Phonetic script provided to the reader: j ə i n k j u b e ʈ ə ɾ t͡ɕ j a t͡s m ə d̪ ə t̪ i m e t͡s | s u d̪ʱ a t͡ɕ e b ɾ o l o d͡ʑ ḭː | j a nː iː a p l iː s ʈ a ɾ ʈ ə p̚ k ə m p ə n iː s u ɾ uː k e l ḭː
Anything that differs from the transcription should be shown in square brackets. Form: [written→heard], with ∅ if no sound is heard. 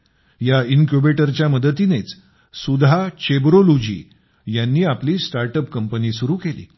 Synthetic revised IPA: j [ə→a] i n k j u b e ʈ ə ɾ t͡ɕ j a [t͡s→∅] m ə d̪ ə t̪ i [m→n] e t͡s | s u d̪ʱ a t͡ɕ e b ɾ o l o d͡ʑ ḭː | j a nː iː a p l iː s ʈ a ɾ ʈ ə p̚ k ə m p ə n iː s u ɾ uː k e l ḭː